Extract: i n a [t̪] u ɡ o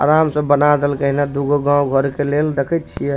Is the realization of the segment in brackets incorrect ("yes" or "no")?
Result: yes